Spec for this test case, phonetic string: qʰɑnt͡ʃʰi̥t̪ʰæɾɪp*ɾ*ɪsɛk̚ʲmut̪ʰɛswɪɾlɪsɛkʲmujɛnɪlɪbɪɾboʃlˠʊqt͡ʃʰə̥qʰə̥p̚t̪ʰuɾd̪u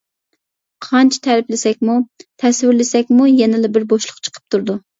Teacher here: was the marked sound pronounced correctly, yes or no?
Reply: no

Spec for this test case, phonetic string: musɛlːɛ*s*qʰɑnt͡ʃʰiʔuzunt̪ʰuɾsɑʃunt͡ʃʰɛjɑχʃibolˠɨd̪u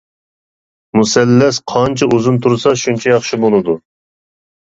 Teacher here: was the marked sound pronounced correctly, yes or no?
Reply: yes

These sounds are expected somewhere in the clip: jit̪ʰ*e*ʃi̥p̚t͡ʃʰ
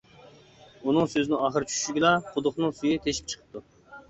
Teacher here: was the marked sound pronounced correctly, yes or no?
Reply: yes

